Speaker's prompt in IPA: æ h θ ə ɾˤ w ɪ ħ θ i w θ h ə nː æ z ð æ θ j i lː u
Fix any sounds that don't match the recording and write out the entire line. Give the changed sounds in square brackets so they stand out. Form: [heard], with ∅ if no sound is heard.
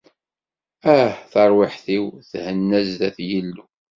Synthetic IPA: æ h θ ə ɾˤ w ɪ ħ θ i w θ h ə nː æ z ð æ θ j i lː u